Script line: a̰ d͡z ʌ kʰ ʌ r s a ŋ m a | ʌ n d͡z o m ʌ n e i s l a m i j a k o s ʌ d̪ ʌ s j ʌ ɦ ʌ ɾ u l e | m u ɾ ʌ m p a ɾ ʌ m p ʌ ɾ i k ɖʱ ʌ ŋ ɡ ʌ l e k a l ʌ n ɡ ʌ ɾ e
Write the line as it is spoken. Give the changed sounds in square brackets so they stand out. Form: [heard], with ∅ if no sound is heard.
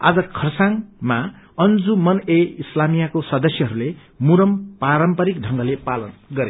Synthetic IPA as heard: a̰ d͡z ʌ kʰ ʌ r s a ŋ m a | ʌ n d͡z [u] m ʌ n e i s l a m i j a k o s ʌ d̪ ʌ s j ʌ ɦ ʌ ɾ u l e | m u ɾ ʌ m p a ɾ ʌ m p ʌ ɾ i k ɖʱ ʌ ŋ ɡ ʌ l e [p] a l ʌ n ɡ ʌ ɾ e